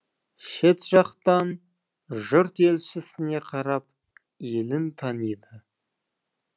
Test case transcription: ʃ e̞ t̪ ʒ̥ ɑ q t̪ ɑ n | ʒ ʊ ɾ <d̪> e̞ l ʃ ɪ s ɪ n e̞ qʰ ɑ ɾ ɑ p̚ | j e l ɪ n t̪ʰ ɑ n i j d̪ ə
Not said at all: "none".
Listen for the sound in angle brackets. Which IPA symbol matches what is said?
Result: t̪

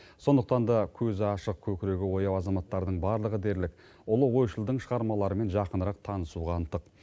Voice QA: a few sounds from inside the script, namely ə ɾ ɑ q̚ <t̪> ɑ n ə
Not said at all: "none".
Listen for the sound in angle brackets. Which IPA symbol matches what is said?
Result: t̪ʰ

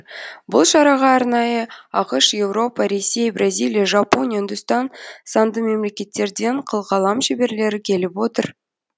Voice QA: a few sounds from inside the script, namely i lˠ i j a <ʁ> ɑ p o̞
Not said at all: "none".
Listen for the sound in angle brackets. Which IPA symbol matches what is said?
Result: ʒ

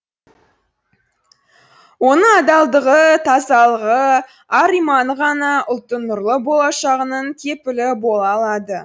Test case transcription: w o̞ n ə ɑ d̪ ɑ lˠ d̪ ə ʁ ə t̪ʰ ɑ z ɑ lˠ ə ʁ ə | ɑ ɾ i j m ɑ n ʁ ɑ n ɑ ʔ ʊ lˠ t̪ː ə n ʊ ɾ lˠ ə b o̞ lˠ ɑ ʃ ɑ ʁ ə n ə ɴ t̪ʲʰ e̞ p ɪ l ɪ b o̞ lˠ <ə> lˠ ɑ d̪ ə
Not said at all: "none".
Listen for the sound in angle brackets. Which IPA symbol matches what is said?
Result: ɑ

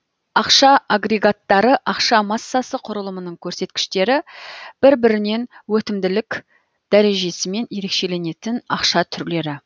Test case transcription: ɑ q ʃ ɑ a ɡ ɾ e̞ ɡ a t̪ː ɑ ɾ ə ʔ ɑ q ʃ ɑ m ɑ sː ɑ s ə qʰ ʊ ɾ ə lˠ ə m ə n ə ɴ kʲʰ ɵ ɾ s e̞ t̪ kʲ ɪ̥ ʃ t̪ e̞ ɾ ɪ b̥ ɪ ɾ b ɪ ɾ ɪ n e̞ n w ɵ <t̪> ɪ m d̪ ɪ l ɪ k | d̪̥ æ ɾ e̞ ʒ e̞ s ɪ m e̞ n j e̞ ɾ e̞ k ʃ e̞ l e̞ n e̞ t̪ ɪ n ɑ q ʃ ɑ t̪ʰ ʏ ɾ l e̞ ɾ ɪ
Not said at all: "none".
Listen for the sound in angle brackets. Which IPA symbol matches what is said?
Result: t̪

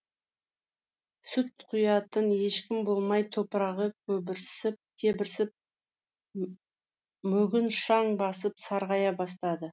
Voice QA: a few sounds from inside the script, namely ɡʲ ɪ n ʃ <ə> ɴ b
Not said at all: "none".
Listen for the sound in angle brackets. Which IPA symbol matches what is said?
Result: ɑ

